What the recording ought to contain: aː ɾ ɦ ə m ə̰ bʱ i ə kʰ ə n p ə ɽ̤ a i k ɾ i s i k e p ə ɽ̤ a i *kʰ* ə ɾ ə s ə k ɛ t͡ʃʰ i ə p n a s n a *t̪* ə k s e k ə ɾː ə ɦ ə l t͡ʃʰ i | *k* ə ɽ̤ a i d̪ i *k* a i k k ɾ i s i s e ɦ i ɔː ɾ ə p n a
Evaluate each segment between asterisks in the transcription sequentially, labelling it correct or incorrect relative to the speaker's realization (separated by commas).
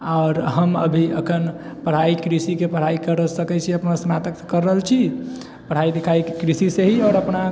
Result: incorrect, correct, incorrect, incorrect